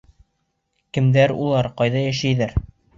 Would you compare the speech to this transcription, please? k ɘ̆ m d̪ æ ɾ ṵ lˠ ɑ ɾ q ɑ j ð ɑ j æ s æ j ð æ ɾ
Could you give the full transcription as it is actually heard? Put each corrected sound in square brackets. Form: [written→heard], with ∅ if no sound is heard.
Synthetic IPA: k ɘ̆ m d̪ æ ɾ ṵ lˠ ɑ ɾ q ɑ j ð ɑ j æ [s→ʃ] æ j ð æ ɾ